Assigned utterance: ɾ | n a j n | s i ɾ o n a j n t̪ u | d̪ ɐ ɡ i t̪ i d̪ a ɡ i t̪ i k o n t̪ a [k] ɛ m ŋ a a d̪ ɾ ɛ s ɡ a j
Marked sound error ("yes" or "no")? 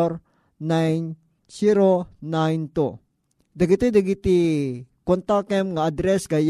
no